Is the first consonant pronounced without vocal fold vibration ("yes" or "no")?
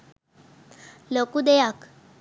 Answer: no